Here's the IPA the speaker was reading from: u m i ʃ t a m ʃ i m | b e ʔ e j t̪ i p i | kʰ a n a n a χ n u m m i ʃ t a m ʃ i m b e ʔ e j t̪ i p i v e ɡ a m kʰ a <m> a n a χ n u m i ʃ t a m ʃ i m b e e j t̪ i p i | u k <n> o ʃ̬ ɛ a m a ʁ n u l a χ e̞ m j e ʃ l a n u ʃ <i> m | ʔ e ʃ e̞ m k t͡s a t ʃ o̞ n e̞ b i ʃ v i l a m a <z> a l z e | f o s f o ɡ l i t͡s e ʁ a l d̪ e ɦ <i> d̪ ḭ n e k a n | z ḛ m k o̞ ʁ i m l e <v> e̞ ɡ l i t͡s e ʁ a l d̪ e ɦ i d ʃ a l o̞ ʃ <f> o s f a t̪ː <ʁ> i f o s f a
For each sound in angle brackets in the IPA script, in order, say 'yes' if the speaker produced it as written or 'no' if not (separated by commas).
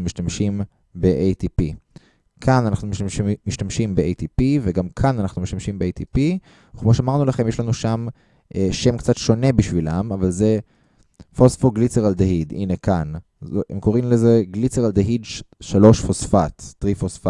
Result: no, no, no, no, yes, no, yes, yes